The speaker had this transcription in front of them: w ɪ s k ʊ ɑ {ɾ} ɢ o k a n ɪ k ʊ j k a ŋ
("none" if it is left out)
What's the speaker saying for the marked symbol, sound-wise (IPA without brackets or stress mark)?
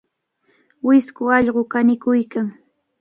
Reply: ʎ